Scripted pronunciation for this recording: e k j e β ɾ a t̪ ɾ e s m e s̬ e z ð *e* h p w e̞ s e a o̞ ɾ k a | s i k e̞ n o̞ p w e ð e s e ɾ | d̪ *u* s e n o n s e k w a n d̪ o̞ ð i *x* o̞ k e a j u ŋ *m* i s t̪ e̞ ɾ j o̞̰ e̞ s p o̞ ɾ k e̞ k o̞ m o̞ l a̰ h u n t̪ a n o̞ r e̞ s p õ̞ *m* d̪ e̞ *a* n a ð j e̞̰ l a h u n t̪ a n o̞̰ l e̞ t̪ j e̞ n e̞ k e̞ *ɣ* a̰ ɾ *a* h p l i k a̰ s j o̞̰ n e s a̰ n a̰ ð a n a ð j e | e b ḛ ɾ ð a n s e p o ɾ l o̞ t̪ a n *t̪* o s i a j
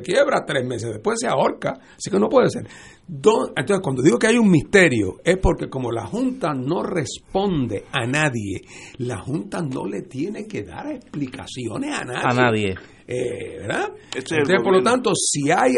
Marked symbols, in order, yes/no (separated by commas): yes, no, no, yes, no, yes, no, no, yes